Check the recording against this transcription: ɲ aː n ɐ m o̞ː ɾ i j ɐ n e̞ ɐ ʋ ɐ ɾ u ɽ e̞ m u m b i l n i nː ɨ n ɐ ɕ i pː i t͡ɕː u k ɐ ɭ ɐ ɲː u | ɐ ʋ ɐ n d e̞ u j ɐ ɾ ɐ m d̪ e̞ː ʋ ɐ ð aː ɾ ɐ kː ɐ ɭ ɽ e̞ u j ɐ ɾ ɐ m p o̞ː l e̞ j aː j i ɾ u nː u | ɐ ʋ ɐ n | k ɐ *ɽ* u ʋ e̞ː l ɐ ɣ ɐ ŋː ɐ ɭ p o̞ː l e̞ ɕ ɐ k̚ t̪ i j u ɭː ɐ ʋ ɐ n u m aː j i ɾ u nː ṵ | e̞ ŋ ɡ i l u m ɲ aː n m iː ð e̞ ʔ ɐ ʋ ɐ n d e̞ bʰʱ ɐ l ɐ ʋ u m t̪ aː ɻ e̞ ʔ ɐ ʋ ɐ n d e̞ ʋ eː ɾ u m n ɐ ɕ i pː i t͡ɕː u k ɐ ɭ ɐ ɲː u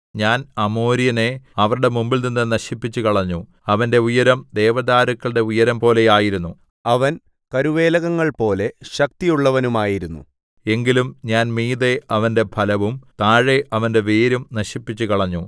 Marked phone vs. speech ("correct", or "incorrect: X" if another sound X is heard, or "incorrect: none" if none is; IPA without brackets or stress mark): incorrect: ɾ